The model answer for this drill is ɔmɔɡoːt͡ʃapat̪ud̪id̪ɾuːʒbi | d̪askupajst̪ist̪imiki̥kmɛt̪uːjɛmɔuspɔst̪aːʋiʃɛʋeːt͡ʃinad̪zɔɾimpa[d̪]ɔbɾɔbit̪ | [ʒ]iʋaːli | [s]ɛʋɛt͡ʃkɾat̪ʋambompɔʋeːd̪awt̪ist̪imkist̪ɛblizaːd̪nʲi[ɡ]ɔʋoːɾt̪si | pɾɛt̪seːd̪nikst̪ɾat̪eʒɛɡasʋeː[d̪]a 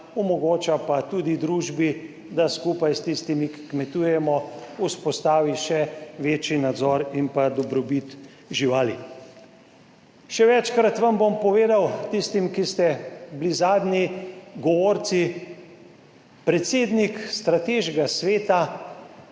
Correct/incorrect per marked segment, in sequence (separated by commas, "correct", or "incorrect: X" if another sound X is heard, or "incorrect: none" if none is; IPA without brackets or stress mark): correct, correct, incorrect: ʃ, correct, incorrect: t̪